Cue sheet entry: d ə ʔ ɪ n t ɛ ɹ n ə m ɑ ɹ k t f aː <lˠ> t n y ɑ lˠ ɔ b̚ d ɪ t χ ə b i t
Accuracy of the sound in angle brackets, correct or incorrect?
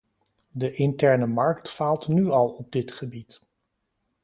correct